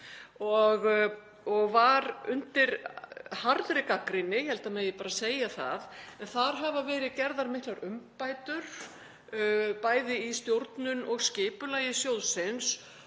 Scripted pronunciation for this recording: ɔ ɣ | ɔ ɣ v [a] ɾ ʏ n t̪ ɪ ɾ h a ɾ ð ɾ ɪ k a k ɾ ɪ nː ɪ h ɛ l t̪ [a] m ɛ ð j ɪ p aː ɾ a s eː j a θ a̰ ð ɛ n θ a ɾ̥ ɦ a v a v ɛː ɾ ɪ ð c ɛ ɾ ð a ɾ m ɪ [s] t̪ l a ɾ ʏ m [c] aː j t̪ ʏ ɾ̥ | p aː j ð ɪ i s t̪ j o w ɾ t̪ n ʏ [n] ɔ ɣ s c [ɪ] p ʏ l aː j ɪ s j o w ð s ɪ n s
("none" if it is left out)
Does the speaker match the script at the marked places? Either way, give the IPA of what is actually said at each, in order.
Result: a, a, h, p, n, ɪː

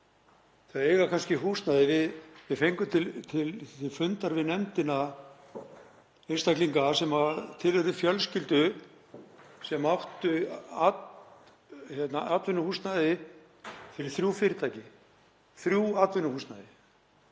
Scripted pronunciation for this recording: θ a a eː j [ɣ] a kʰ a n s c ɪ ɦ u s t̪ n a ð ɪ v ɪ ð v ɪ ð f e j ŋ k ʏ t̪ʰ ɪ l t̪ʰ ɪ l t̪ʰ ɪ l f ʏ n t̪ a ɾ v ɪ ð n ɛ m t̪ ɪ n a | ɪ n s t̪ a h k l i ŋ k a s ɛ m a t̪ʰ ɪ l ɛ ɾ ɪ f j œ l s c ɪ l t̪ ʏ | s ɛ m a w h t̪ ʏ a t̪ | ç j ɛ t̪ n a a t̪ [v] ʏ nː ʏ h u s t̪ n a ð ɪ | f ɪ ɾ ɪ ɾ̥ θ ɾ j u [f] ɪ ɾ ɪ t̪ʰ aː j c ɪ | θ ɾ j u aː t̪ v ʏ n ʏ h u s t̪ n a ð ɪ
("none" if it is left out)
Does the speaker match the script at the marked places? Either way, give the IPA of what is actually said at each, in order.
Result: ɣ, v, f

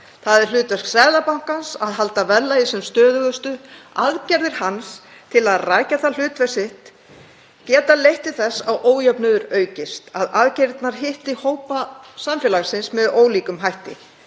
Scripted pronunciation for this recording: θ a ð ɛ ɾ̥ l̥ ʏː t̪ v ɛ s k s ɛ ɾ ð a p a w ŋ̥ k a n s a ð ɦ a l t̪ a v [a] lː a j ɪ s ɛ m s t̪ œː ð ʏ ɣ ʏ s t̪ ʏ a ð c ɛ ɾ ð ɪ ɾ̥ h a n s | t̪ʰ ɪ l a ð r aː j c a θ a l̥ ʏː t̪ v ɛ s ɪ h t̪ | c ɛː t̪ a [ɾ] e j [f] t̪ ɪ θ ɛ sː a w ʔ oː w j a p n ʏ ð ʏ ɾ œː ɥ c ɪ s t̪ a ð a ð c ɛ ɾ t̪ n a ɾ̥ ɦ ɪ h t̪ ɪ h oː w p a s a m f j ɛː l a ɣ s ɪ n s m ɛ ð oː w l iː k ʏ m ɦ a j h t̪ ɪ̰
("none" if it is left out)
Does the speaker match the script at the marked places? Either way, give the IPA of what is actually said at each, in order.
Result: ɛ, l, h

